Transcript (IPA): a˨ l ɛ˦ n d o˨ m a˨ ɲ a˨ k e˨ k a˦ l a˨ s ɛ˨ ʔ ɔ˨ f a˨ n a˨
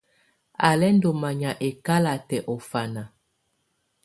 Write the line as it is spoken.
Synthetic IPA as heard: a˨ l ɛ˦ n d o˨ m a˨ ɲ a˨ ʔ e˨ k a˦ l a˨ t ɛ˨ ʔ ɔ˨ f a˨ n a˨